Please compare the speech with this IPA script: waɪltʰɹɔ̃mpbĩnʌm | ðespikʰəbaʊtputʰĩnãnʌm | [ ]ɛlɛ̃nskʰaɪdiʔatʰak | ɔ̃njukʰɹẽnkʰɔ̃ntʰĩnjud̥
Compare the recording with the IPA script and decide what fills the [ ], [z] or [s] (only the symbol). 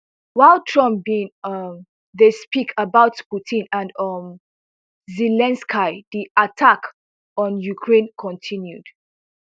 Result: z